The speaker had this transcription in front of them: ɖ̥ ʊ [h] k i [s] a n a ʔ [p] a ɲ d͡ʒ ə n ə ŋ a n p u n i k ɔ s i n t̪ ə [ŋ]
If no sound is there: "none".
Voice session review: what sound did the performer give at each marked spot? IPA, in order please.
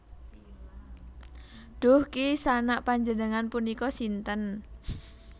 h, s, p, n

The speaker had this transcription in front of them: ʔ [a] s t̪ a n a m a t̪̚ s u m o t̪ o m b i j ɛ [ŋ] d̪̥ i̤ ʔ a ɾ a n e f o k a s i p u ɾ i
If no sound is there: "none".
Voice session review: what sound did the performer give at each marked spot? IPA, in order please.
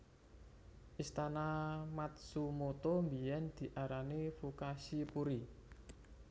i, n

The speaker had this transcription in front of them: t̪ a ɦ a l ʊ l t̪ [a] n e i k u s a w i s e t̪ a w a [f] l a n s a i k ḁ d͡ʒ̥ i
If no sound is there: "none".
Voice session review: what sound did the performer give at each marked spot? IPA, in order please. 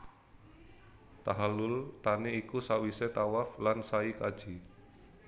a, f

